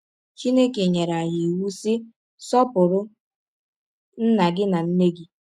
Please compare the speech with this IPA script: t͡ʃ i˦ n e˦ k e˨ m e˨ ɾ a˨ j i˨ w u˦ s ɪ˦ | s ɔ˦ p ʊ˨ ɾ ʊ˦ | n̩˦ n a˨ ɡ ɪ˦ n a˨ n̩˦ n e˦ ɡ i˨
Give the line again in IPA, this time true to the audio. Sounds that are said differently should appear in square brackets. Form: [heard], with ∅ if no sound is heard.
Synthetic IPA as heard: t͡ʃ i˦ n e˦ k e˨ [ɲ] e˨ ɾ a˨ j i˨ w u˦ s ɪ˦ | s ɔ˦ p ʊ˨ ɾ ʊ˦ | n̩˦ n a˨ ɡ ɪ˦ n a˨ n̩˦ n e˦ ɡ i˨